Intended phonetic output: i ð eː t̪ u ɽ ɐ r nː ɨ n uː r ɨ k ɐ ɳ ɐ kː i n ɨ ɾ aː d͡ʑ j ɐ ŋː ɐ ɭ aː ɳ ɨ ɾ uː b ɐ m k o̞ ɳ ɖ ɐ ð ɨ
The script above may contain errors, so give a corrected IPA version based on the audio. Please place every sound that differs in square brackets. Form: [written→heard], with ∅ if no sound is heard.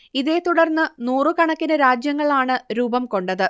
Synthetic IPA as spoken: i ð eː t̪ u ɽ ɐ r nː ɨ n uː r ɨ k ɐ ɳ ɐ kː i n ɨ ɾ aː d͡ʑ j ɐ ŋː ɐ ɭ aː ɳ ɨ ɾ uː b ɐ m k o̞ ɳ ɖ ɐ ð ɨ